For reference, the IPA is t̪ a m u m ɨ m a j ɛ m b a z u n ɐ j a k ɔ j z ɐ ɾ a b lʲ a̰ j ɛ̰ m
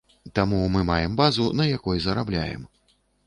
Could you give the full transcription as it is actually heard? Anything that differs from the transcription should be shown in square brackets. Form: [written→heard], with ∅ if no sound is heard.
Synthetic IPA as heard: t̪ a m u m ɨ m a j ɛ m b a z u n ɐ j a k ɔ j z ɐ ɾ a b lʲ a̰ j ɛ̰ m